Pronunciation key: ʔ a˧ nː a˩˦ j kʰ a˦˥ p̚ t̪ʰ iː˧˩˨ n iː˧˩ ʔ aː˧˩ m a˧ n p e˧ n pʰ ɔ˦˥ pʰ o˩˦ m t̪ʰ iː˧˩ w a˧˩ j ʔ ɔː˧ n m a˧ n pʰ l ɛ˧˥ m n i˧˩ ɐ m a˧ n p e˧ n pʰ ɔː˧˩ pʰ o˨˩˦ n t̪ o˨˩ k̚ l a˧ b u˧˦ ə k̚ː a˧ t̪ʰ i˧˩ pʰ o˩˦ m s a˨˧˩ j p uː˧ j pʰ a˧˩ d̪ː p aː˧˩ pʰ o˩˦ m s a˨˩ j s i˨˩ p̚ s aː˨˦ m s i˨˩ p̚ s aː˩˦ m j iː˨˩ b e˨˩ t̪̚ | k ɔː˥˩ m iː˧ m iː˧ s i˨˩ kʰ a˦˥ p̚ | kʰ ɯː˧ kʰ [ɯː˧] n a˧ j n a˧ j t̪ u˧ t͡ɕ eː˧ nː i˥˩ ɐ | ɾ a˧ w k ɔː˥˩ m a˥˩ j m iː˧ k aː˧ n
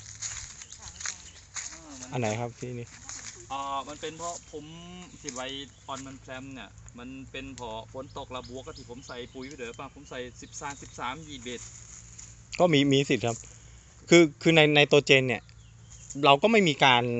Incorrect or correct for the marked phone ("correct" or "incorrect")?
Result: correct